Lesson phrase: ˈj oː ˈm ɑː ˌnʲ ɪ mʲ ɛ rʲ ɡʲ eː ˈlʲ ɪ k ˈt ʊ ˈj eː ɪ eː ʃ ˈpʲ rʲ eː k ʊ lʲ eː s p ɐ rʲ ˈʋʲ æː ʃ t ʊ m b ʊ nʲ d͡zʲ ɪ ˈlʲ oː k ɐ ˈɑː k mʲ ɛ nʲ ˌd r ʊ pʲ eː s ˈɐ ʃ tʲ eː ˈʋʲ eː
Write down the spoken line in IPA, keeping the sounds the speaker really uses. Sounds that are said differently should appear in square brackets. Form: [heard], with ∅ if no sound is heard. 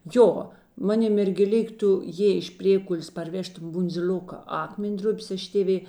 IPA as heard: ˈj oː ˈm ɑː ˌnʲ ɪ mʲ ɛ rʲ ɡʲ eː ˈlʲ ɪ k ˈt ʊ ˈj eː ɪ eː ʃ ˈpʲ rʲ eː k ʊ lʲ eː s p ɐ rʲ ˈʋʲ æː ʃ t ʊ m b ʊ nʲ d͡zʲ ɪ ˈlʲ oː k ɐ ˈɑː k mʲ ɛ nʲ ˌd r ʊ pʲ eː s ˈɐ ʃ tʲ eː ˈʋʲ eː